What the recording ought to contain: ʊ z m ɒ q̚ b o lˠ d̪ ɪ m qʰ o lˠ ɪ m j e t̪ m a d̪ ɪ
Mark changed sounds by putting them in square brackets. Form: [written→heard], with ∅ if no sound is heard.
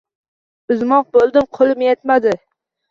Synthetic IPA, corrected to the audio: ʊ z m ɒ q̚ b o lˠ d̪ ɪ m qʰ o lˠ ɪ m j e t̪ m a d̪ ɪ